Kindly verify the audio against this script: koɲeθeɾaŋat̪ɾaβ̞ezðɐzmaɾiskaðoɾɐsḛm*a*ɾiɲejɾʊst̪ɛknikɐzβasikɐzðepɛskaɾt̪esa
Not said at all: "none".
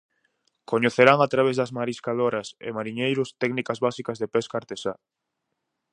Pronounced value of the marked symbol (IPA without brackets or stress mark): a